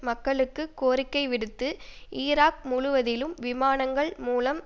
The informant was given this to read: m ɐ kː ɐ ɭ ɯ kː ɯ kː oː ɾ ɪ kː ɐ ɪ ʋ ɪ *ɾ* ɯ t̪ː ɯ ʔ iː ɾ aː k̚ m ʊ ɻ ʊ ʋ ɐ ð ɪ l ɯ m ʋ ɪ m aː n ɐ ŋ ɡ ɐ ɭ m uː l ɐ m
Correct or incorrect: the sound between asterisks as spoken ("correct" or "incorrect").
incorrect